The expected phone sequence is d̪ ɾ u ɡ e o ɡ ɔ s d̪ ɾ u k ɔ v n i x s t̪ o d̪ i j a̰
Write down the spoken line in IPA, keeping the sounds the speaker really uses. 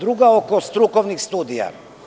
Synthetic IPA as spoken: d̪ ɾ u ɡ a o k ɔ s t̪ ɾ u k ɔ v n i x s t̪ u d̪ i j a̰